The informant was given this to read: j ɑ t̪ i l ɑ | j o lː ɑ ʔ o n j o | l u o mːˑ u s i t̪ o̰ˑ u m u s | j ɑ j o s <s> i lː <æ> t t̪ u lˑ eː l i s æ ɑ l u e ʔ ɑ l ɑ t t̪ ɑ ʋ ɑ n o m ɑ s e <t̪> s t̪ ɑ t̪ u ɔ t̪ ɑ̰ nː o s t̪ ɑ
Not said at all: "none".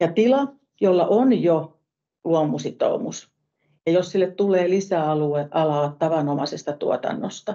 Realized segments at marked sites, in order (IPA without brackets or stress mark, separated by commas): s, e, none